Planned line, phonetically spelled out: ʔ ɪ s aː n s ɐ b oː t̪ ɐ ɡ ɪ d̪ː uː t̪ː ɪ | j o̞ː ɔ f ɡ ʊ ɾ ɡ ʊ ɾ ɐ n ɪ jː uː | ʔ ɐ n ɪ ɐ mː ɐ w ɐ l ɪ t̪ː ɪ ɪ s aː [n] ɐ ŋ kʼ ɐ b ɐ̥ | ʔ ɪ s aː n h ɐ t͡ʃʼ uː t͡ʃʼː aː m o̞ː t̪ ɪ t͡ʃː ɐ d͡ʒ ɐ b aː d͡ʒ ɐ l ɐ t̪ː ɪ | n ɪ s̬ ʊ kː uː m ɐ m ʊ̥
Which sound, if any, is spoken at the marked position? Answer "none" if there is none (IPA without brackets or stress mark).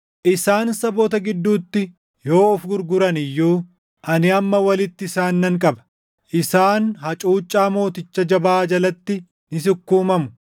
nː